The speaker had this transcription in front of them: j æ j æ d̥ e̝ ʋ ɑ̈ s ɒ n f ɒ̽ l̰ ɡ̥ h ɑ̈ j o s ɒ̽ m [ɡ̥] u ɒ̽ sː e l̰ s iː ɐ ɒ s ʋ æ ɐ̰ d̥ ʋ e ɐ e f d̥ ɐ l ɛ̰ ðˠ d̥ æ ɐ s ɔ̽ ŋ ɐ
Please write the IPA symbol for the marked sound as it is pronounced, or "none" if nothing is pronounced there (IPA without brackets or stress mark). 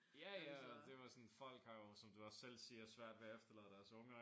d̥